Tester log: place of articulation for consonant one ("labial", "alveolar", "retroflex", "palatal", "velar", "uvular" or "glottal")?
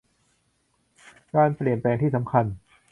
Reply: velar